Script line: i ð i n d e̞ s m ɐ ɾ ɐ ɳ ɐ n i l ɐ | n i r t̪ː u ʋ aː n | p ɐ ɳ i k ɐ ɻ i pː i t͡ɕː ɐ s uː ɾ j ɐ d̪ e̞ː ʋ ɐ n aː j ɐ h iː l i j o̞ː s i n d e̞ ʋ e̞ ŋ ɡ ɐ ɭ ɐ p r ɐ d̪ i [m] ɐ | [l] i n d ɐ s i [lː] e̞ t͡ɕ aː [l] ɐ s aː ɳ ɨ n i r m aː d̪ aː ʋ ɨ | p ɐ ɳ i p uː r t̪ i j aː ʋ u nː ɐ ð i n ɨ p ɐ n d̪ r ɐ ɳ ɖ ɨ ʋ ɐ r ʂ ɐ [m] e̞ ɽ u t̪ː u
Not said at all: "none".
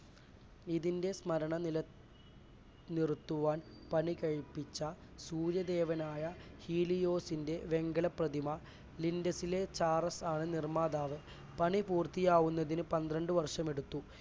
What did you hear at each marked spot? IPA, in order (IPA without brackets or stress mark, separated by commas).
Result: m, l, l, r, m